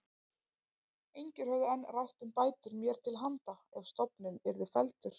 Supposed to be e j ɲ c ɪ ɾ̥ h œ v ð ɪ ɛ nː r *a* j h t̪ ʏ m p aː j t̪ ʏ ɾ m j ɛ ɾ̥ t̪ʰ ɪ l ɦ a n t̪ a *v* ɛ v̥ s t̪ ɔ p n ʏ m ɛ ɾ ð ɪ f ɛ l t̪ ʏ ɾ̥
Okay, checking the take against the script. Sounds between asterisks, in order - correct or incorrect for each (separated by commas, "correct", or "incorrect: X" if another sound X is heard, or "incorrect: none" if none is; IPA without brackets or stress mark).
correct, incorrect: none